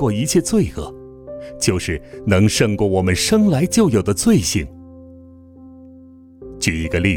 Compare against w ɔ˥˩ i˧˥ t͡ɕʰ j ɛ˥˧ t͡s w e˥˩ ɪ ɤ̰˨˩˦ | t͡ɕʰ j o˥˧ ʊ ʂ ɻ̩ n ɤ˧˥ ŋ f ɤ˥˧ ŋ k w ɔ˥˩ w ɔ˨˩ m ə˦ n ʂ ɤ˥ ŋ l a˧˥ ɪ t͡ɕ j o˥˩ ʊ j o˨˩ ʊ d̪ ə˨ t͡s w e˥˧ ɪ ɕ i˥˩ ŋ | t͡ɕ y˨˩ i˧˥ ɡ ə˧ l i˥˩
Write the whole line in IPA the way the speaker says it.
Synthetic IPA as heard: w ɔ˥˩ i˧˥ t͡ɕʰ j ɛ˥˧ t͡s w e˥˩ ɪ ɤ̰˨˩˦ | t͡ɕ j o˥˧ ʊ ʂ ɻ̩ n ɤ˧˥ ŋ ʂ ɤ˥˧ ŋ k w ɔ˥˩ w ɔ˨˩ m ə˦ n ʂ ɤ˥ ŋ l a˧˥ ɪ t͡ɕ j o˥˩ ʊ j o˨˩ ʊ d̪ ə˦ t͡s w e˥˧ ɪ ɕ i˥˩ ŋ | t͡ɕ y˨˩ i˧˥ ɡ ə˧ l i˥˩